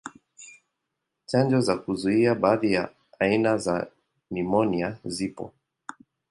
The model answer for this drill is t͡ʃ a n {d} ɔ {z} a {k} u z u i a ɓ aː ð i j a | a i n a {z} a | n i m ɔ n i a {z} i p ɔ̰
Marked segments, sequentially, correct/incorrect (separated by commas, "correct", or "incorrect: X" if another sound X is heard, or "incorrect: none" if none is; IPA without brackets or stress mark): incorrect: d͡ʒ, correct, correct, correct, correct